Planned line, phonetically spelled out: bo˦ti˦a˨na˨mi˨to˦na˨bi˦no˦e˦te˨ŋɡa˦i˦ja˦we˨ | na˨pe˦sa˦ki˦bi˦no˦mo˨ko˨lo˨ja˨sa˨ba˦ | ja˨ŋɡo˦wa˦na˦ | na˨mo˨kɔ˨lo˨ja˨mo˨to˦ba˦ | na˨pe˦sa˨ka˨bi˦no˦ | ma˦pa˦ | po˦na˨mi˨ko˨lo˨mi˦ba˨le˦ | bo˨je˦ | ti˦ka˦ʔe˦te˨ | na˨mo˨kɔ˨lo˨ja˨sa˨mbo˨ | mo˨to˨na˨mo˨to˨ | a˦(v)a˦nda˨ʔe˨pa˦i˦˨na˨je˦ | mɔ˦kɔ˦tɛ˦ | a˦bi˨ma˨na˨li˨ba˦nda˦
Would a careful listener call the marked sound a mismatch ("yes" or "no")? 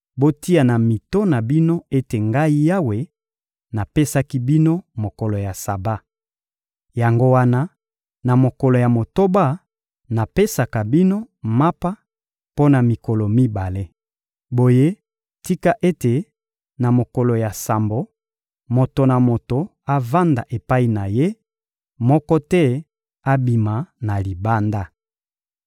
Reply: no